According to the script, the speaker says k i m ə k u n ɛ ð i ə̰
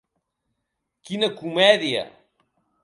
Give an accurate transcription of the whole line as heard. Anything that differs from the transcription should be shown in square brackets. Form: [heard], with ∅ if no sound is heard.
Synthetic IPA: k i [n] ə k u [m] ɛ ð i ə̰